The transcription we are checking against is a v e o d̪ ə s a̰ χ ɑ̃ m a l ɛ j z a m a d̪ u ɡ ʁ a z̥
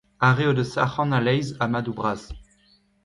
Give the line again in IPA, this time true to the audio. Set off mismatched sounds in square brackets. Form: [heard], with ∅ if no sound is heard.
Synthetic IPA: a [ʁ] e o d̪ ə s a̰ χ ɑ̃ [n] a l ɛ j z a m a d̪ u [b] ʁ a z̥